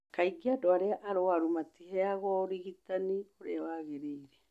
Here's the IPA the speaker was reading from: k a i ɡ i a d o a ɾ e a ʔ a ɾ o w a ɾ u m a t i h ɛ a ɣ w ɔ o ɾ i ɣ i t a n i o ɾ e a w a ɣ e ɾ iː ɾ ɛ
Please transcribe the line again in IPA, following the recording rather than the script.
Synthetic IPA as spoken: k a i ɡ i a d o a ɾ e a ʔ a ɾ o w a ɾ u m a t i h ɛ a ɣ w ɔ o ɾ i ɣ i t a n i o ɾ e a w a ɣ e ɾ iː ɾ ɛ